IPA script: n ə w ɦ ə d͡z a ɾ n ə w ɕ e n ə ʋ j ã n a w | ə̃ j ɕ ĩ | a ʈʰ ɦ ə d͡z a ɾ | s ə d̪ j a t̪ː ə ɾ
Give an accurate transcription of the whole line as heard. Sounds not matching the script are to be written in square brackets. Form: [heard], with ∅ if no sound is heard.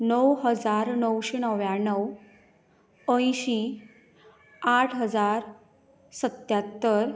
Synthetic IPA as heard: n ə w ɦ ə d͡z a ɾ n ə w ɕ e n ə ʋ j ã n [ə] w | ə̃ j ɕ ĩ | a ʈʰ ɦ ə d͡z a ɾ | s ə [t̪] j a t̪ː ə ɾ